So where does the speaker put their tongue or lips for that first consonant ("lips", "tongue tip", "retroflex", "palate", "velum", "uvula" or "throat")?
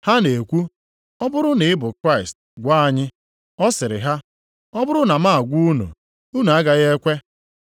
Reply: throat